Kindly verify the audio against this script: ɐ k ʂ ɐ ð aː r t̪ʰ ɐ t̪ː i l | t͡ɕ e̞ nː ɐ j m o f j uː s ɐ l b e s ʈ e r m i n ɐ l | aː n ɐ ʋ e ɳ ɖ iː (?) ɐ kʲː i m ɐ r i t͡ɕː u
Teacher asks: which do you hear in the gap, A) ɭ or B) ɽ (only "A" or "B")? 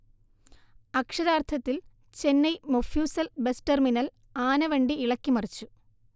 A